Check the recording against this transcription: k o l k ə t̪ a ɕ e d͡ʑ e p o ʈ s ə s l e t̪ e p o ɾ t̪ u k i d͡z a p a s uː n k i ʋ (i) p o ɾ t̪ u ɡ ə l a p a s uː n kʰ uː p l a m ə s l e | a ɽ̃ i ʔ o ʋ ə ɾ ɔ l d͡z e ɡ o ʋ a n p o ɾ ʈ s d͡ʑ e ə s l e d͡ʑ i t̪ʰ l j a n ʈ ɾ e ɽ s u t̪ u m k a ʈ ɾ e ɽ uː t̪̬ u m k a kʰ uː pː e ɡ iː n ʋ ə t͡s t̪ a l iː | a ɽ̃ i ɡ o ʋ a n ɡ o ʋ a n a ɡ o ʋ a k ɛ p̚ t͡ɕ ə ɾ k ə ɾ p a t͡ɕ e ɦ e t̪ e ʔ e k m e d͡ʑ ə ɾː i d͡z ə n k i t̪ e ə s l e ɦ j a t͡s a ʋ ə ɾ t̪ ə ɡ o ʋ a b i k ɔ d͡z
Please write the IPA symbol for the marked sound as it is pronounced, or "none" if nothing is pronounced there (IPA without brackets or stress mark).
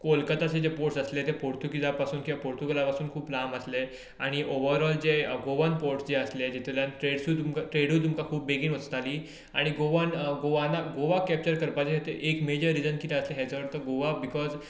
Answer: a